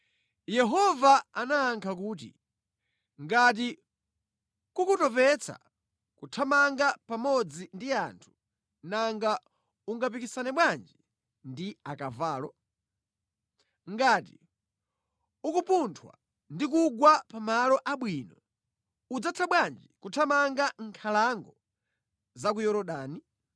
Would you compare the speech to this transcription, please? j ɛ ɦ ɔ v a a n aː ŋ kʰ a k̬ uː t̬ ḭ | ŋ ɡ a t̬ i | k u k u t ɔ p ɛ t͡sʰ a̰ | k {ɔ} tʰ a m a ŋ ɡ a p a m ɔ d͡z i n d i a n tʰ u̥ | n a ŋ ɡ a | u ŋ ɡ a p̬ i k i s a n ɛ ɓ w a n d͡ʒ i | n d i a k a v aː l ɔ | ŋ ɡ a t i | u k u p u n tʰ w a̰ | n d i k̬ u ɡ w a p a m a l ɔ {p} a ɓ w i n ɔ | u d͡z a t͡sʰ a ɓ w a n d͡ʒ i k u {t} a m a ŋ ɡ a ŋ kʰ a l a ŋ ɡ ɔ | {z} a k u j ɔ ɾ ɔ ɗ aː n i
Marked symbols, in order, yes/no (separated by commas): no, no, no, yes